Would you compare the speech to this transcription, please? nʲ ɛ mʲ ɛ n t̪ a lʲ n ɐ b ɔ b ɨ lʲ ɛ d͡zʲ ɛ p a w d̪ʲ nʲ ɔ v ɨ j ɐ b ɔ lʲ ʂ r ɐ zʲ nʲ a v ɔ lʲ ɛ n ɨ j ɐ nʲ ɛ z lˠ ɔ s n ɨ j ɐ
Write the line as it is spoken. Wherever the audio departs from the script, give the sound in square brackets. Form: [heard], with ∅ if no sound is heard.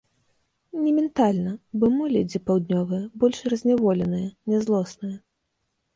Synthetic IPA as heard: nʲ ɛ mʲ ɛ n t̪ a lʲ n ɐ b ɔ [m] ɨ lʲ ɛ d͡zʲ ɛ p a w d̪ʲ nʲ ɔ v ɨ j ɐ b ɔ lʲ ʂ r ɐ zʲ nʲ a v ɔ lʲ ɛ n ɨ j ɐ nʲ ɛ z lˠ ɔ s n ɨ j ɐ